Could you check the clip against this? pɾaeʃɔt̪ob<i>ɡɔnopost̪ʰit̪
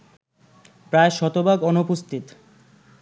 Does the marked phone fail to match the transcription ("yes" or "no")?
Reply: yes